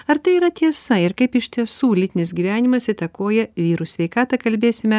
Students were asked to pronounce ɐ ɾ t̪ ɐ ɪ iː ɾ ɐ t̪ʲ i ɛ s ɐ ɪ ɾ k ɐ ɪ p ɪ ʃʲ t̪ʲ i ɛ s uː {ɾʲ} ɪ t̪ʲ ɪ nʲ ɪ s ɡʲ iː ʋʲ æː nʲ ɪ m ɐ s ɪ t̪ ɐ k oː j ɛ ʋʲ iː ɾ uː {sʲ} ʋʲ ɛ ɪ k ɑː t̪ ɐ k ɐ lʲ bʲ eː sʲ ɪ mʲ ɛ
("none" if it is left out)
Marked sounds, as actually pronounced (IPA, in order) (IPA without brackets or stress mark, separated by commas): lʲ, sʲ